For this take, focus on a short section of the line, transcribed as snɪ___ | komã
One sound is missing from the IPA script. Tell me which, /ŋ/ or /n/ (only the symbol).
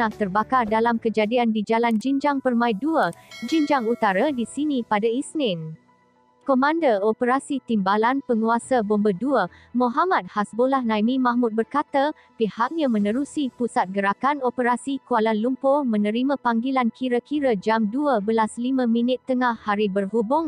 n